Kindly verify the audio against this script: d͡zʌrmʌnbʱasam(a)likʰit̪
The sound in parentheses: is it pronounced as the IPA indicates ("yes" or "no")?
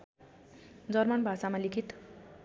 yes